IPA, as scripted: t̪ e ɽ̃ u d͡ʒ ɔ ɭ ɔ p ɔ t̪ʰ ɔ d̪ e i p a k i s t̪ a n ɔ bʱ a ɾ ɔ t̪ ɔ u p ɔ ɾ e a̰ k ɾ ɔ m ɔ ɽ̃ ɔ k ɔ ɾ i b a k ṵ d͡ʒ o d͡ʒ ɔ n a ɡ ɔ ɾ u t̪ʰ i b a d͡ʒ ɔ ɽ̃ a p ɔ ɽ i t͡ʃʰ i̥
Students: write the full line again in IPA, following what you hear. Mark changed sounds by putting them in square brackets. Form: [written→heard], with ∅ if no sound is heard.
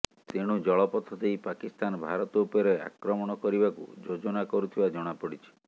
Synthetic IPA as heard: t̪ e ɽ̃ u d͡ʒ ɔ ɭ ɔ p ɔ t̪ʰ ɔ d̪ e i p a k i s t̪ a n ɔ bʱ a ɾ ɔ t̪ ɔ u p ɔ ɾ e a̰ k ɾ ɔ m ɔ ɽ̃ ɔ k ɔ ɾ i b a k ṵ d͡ʒ o d͡ʒ ɔ n a [ɡ→k] ɔ ɾ u t̪ʰ i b a d͡ʒ ɔ ɽ̃ a p ɔ ɽ i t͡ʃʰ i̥